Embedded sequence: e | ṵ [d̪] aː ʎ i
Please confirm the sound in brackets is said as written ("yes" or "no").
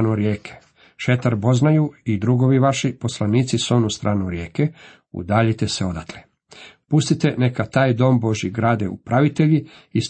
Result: yes